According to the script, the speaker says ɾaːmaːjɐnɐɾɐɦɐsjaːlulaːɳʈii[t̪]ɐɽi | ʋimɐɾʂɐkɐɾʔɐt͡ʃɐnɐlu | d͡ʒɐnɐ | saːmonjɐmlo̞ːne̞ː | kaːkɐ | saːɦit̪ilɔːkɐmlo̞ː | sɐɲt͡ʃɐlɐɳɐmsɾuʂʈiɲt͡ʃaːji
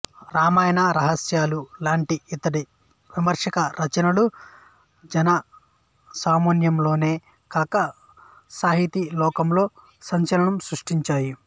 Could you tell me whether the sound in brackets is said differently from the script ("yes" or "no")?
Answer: no